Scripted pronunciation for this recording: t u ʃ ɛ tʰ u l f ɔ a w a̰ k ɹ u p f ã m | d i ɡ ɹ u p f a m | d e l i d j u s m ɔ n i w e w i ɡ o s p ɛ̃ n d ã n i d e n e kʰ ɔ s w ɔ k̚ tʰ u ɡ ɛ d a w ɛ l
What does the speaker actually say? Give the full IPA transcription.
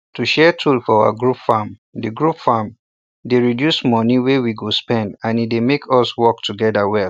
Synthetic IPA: t u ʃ ɛ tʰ u l f ɔ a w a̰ ɡ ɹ u p f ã m | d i ɡ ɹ u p f a m | d e ɹ i d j u s m ɔ n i w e w i ɡ o s p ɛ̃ n d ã n i d e m e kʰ ɔ s w ɔ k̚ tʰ u ɡ ɛ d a w ɛ l